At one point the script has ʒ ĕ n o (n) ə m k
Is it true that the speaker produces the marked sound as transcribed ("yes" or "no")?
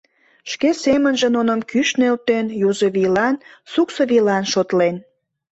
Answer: yes